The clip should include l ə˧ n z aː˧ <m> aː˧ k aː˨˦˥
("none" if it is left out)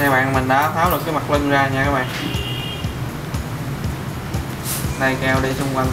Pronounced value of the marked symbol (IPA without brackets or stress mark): ɲ